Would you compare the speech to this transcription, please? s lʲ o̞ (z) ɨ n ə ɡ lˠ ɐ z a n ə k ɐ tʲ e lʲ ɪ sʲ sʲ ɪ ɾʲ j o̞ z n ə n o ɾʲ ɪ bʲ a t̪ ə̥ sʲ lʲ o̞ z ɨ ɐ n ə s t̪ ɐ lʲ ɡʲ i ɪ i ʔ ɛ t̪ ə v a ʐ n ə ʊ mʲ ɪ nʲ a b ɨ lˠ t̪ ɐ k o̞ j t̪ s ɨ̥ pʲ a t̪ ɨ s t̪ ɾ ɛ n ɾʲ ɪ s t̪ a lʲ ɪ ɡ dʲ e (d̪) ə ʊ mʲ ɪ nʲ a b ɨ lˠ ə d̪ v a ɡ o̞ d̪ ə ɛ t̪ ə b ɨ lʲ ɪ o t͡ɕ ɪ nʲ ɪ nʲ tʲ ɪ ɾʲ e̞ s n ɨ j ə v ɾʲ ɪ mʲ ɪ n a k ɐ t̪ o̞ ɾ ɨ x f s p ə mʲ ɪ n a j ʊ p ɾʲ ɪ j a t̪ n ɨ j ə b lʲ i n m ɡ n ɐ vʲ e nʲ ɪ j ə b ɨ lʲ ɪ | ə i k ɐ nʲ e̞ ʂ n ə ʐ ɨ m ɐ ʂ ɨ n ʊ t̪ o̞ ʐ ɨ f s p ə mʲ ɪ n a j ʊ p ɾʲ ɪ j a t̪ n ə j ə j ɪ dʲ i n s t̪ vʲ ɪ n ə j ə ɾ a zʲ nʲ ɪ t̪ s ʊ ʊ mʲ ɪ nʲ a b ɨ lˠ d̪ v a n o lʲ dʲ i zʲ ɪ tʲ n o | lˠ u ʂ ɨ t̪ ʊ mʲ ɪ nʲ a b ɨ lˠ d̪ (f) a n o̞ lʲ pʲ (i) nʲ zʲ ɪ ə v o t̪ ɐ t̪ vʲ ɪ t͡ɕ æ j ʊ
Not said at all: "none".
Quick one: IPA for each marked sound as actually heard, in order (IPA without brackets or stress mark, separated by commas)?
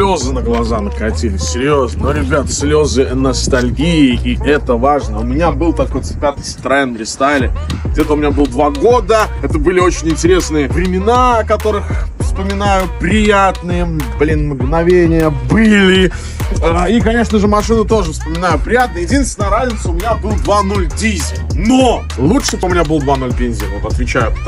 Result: z, t̪, v, e